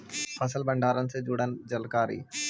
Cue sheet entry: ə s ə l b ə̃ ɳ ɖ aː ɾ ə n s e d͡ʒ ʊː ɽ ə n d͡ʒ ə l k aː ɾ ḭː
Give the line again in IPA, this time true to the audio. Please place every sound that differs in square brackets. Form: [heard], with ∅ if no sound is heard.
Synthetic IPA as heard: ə s ə l b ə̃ ɳ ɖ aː ɾ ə n s e d͡ʒ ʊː ɽ ə n d͡ʒ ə l k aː ɾ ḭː